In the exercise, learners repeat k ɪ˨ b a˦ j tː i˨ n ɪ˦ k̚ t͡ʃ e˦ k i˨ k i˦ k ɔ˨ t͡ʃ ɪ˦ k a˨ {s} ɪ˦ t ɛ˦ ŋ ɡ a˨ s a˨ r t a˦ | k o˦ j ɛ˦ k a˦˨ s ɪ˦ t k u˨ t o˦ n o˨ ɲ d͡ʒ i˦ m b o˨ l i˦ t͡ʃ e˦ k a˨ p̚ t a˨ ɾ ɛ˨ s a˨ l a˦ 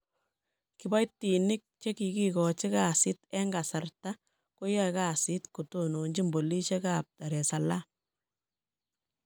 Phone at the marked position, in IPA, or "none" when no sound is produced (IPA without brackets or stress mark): s